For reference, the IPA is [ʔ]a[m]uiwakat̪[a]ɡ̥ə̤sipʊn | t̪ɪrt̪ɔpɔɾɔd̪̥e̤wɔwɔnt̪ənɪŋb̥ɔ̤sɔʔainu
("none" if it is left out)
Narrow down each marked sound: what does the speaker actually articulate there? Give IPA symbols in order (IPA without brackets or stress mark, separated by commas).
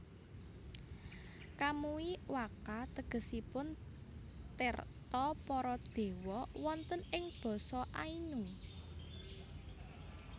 k, m, ə